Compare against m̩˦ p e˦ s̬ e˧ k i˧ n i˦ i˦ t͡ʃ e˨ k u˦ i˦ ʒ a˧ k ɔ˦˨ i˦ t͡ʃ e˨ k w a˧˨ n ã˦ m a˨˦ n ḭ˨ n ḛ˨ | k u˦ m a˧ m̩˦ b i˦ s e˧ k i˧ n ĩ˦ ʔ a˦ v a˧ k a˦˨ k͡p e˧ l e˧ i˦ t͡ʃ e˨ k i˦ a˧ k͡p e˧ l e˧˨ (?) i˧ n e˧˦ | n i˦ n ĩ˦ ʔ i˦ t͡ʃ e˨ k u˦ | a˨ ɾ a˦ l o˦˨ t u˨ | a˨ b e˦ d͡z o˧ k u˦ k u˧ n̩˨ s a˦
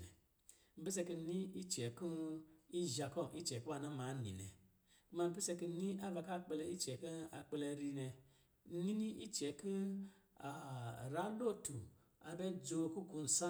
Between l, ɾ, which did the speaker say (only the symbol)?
ɾ